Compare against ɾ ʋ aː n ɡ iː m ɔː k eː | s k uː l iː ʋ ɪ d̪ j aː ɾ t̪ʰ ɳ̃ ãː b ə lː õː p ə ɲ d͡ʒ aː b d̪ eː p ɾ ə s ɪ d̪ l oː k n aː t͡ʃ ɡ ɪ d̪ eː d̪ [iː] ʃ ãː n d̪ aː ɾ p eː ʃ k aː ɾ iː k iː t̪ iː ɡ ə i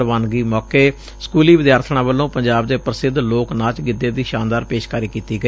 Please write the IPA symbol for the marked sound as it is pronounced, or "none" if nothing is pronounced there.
iː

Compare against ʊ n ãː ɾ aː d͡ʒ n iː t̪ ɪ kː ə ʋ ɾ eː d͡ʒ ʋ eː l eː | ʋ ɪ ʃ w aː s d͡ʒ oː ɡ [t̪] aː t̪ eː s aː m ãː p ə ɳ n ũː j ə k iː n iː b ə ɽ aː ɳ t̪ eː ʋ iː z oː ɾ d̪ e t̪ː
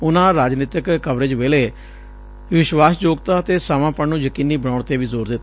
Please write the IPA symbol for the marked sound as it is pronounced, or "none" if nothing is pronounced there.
t̪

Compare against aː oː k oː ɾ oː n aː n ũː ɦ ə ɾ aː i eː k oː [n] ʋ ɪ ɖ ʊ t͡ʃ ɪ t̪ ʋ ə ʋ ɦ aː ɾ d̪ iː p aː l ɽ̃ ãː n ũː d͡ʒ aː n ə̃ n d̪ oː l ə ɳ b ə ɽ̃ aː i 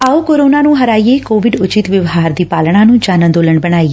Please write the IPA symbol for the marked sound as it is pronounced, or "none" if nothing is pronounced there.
none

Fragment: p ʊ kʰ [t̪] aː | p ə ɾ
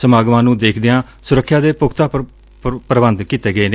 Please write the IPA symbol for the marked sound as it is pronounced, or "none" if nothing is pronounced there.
t̪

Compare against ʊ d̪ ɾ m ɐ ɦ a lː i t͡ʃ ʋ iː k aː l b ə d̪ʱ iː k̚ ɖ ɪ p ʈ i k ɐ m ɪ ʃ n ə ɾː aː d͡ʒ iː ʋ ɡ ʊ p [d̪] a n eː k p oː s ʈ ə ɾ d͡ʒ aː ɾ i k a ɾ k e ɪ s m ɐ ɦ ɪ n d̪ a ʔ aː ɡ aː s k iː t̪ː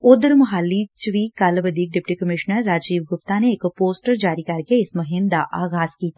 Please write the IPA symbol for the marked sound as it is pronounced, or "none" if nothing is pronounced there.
t̪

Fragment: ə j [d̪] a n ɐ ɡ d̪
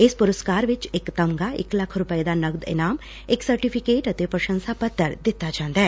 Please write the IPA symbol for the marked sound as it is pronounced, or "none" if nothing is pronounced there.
d̪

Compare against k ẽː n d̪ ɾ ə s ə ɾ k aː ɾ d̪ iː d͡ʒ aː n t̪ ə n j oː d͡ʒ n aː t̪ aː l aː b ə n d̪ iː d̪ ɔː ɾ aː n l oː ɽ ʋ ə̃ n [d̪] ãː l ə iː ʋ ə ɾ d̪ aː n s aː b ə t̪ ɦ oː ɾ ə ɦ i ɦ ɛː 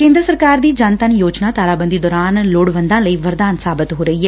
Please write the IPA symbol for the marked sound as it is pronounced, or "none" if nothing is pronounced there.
d̪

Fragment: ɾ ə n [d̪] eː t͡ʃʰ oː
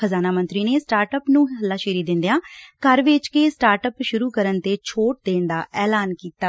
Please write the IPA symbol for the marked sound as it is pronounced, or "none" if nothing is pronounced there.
t̪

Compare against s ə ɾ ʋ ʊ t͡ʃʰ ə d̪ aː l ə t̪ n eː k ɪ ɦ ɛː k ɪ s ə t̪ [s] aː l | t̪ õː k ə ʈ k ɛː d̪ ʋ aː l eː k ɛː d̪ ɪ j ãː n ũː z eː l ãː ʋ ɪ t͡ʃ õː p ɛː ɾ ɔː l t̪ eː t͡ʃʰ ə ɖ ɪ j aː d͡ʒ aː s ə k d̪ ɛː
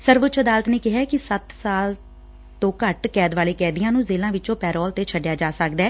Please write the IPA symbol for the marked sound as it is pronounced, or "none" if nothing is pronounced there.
s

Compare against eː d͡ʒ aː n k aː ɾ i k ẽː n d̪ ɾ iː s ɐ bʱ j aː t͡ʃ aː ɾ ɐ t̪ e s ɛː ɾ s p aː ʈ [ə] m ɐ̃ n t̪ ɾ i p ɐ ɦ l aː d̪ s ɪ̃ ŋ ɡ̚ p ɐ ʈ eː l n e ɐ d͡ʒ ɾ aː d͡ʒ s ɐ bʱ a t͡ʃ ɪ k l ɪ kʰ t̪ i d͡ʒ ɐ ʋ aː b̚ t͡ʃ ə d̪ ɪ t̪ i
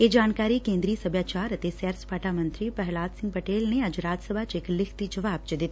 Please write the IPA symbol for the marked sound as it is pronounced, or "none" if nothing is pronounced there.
a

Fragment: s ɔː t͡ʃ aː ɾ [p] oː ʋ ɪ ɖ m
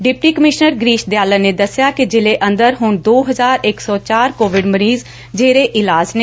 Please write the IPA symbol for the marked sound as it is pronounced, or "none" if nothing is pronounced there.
k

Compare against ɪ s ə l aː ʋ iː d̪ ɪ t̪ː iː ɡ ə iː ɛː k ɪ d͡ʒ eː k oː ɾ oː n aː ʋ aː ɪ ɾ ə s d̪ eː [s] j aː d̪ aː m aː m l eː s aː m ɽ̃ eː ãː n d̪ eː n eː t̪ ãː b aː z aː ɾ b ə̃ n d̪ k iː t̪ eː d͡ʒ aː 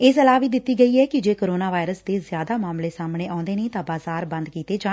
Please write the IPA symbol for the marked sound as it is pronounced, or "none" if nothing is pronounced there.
z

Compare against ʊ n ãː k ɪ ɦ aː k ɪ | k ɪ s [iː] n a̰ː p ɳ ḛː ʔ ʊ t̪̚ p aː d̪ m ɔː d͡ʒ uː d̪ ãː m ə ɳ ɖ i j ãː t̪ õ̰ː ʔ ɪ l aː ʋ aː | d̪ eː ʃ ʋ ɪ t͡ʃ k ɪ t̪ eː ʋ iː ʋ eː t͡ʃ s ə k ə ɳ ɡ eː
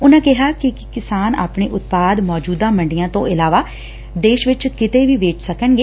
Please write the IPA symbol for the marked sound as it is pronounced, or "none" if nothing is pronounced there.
aː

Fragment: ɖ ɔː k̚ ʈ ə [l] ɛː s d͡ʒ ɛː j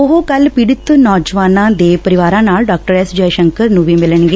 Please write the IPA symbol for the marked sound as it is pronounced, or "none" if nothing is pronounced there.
ɾ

